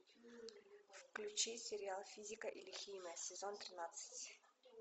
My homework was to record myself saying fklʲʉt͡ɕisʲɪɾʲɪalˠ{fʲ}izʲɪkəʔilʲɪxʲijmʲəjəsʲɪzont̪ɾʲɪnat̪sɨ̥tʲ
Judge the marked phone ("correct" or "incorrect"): correct